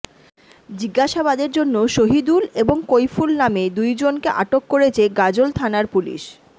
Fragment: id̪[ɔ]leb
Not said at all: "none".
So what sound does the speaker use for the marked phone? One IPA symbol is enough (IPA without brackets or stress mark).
u